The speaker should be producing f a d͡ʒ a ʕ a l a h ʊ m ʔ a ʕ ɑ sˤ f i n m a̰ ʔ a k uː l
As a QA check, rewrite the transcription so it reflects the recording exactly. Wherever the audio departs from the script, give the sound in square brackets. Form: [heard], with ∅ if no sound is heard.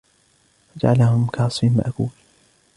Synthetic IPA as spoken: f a d͡ʒ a ʕ a l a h ʊ m [k] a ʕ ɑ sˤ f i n m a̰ ʔ a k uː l